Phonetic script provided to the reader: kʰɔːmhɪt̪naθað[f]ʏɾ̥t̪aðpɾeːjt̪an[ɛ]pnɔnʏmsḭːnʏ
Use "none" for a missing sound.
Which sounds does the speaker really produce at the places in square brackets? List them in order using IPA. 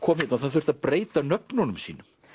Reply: θ, œ

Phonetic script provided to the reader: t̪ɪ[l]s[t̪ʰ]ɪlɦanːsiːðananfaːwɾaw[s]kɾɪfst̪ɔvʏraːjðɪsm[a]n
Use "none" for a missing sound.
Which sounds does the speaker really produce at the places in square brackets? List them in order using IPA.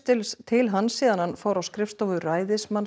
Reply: l, t̪ʰ, s, a

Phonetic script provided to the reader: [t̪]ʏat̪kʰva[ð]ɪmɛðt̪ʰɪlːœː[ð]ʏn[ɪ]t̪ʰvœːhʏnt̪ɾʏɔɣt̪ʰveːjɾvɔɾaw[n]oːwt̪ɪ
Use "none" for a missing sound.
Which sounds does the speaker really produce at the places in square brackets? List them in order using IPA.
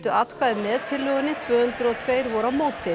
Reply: t̪, ð, ɣ, ɪ, m

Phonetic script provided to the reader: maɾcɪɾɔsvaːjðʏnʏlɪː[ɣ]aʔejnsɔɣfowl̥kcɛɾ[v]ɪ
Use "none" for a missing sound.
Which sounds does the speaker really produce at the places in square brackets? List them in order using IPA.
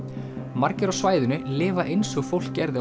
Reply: v, ð

